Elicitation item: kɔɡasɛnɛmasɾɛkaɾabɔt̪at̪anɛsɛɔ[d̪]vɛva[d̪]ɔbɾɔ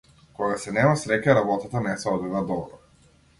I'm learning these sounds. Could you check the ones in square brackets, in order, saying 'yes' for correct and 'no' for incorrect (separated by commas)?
yes, yes